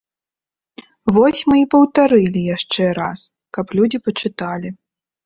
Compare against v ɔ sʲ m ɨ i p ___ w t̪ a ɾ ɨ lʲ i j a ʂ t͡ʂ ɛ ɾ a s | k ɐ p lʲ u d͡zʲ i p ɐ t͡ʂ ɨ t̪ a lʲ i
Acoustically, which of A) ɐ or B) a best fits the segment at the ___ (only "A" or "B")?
A